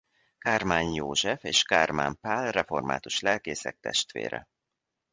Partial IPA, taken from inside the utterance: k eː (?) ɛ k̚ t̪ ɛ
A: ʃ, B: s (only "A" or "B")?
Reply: B